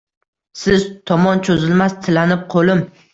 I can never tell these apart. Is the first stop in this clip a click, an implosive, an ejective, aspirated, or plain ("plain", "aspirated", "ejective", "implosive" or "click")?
aspirated